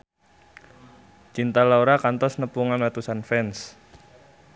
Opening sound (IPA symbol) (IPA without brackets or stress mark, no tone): t͡ʃ